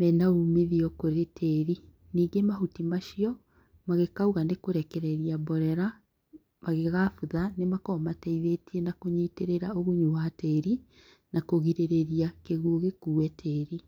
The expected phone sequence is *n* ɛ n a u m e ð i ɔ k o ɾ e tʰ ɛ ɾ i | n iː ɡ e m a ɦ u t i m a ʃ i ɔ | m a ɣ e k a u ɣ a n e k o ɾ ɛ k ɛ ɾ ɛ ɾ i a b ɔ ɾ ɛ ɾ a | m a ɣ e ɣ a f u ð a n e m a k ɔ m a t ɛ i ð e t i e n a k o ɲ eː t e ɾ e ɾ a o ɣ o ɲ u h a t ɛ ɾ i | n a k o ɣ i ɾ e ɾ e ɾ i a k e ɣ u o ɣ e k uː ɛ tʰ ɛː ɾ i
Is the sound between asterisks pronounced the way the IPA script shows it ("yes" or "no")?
no